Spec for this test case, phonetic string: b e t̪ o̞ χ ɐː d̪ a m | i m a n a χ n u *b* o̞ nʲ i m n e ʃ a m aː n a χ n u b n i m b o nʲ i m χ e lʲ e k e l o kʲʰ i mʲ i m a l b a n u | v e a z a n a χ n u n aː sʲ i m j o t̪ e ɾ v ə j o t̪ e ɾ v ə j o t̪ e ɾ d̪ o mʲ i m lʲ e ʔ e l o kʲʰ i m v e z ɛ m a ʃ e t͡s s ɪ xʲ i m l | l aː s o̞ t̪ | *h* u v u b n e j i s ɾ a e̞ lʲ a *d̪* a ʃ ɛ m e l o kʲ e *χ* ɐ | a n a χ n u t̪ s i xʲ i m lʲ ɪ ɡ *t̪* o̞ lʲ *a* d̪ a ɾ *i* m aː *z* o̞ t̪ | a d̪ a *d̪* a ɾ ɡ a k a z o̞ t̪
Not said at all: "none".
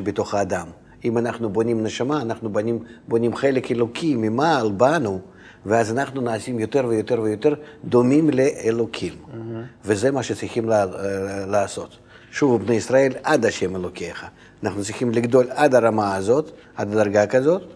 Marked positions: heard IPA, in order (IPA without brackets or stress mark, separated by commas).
b, ʃ, d̪, χ, d̪, a, a, z, d̪